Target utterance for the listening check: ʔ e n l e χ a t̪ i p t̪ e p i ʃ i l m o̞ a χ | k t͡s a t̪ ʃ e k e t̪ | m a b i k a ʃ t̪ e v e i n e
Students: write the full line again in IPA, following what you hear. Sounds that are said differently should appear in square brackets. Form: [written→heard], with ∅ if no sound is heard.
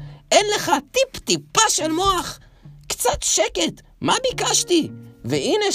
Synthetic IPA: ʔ e n l e χ a t̪ i p t̪ [e→i] p [i→a] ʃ [i→e] l m o̞ a χ | k t͡s a t̪ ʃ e k e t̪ | m a b i k a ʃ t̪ [e→i] v e i n e